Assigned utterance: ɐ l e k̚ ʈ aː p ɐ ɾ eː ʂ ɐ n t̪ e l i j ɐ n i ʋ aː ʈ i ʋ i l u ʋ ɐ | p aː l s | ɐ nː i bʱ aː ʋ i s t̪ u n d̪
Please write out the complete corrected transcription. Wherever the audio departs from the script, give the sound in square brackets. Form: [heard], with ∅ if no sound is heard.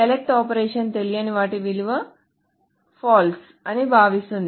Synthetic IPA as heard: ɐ l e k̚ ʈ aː p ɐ ɾ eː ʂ ɐ n t̪ e l i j ɐ n i ʋ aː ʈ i ʋ i l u ʋ ɐ | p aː l s | ɐ [n] i bʱ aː ʋ i s t̪ u n d̪